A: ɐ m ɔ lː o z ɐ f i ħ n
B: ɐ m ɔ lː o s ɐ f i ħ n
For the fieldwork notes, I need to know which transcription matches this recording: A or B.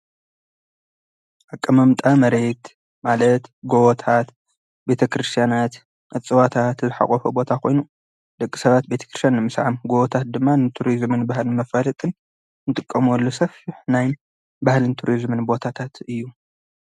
B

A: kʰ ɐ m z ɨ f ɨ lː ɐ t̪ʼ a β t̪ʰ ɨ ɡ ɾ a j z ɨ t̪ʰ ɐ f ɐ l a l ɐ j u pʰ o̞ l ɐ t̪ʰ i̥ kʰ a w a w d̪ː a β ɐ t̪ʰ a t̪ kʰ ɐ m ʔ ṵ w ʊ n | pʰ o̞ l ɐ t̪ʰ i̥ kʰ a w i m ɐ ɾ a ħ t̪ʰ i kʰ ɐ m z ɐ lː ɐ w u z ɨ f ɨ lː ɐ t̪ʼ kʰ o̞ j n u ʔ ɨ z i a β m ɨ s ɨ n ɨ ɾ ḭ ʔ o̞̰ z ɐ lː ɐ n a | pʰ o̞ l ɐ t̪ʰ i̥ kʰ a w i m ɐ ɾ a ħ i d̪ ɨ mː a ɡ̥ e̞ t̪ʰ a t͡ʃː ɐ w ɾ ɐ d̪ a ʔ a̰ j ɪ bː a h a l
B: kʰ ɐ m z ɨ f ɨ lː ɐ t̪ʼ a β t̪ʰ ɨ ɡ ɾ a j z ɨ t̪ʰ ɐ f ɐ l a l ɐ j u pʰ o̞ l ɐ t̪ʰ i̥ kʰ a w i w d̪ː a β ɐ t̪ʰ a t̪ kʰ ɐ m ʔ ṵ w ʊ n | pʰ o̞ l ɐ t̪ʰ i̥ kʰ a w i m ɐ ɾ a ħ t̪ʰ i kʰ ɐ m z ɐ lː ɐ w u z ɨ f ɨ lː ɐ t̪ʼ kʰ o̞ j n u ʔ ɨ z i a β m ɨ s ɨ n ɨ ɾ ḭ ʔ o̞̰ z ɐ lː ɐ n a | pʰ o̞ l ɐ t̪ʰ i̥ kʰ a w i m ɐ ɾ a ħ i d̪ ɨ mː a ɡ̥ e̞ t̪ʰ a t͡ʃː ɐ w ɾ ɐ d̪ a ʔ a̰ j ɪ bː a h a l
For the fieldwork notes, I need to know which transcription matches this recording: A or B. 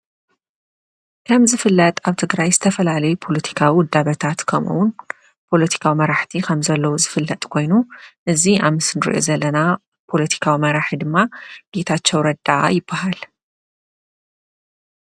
B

